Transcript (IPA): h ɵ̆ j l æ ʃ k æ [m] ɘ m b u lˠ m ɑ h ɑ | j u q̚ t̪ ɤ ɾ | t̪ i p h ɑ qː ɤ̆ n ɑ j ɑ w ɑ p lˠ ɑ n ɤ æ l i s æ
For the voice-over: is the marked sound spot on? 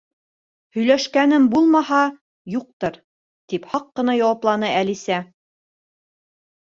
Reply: no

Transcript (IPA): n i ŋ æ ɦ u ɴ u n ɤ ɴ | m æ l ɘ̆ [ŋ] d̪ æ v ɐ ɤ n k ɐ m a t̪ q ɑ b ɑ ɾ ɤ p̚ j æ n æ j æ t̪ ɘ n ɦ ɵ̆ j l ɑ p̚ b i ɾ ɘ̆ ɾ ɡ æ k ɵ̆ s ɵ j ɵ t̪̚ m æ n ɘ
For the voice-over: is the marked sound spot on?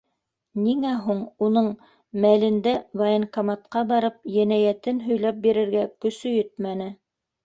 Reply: no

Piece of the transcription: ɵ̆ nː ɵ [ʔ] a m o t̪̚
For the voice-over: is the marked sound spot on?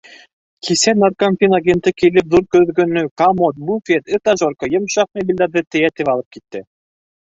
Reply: no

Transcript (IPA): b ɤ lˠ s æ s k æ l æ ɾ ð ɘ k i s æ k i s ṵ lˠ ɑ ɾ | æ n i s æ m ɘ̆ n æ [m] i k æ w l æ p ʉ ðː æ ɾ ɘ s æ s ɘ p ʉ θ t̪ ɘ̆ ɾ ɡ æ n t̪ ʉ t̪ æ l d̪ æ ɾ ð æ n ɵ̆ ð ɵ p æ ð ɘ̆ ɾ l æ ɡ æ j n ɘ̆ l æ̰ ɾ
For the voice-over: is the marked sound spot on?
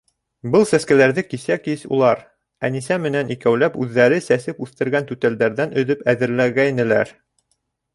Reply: no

